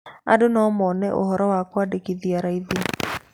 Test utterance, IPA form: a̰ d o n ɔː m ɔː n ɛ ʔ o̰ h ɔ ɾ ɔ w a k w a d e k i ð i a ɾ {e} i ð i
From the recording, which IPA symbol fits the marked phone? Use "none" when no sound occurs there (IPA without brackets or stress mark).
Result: a